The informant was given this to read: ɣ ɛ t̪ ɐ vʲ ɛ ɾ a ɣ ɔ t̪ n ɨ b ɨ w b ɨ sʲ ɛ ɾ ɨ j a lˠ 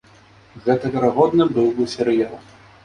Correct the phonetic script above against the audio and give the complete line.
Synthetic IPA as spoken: ɣ ɛ t̪ ɐ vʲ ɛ ɾ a ɣ ɔ d̪ n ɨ b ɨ w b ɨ sʲ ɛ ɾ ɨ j a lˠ

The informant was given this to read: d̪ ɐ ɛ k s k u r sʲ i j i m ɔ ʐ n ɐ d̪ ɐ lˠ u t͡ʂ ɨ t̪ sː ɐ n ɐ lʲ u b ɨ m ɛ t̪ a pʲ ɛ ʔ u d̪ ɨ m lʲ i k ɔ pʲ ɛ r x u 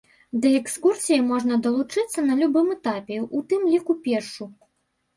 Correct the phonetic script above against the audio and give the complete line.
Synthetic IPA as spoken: d̪ ɐ ɛ k s k u r sʲ i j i m ɔ ʐ n ɐ d̪ ɐ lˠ u t͡ʂ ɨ t̪ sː ɐ n ɐ lʲ u b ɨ m ɛ t̪ a pʲ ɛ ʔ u t̪ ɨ m lʲ i k u pʲ ɛ r ʂ u

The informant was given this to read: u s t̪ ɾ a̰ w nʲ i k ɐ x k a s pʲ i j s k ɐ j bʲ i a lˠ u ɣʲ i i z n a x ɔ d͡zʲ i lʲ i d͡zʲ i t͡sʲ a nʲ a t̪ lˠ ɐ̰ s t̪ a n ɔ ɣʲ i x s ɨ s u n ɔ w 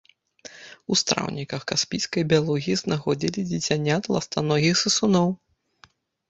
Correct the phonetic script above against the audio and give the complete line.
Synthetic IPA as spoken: u s t̪ ɾ a̰ w nʲ i k ɐ x k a s pʲ i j s k ɐ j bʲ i a lˠ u ɣʲ i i z n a x ɔ d͡zʲ i lʲ i d͡zʲ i t͡sʲ a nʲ a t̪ lˠ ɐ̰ s t̪ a n ɔ ɣʲ i x s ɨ s u n ɔ w

